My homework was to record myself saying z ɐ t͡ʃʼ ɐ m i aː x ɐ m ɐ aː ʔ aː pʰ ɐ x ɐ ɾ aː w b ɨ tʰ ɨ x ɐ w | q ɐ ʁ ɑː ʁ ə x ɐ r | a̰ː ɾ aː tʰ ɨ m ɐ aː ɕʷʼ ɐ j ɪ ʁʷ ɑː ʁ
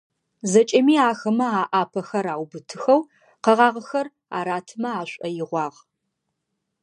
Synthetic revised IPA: z ɐ t͡ʃʼ ɐ m iː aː x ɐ m ɐ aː ʔ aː pʰ ɐ x ɐ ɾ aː w b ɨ tʰ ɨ x ɐ w | q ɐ ʁ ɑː ʁ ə x ɐ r | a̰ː ɾ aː tʰ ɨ m ɐ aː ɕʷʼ ɐ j ɪ ʁʷ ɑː ʁ